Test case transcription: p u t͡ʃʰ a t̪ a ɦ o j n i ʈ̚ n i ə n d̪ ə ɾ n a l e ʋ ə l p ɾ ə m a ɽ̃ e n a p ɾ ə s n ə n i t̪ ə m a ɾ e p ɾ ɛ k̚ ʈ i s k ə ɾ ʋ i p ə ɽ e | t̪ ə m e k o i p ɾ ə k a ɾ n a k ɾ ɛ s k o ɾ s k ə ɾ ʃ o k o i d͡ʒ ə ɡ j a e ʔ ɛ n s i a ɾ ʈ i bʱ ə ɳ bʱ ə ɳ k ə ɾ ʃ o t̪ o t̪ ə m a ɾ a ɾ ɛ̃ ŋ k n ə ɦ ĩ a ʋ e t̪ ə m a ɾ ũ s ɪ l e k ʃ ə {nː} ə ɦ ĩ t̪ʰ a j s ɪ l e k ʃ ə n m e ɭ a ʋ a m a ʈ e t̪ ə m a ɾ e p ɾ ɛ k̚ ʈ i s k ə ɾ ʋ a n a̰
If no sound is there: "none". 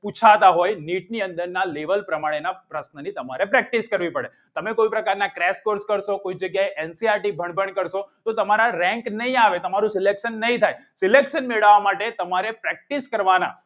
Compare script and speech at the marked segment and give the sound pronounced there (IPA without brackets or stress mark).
nː